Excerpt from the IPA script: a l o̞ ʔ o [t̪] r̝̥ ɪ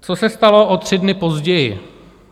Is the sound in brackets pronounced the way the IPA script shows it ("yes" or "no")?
yes